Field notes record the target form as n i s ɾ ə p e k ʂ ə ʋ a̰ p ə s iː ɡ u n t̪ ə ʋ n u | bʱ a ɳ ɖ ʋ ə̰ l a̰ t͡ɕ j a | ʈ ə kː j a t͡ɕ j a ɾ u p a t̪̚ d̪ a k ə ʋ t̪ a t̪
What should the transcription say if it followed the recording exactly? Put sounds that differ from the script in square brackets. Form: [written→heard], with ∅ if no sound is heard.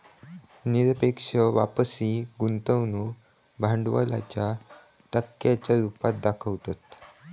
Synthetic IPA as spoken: n i [s→∅] ɾ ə p e k ʂ ə ʋ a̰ p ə s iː ɡ u n t̪ ə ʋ n u | bʱ a ɳ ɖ ʋ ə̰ l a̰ t͡ɕ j a | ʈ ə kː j a t͡ɕ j a ɾ u p a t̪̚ d̪ a [k→kʰ] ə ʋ t̪ a t̪